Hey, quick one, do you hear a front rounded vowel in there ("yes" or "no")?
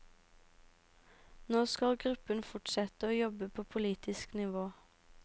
no